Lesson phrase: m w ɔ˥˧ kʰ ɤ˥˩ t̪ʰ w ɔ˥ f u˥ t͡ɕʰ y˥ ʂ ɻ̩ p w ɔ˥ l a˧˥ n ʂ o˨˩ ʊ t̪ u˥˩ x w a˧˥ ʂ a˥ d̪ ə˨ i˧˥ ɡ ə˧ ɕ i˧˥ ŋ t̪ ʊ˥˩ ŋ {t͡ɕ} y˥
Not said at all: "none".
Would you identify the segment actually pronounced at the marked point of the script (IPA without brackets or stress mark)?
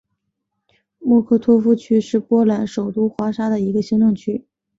t͡ɕʰ